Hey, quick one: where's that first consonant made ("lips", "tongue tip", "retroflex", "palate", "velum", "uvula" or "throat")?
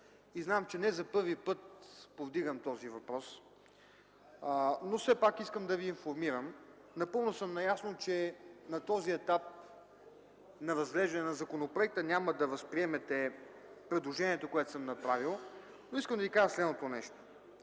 tongue tip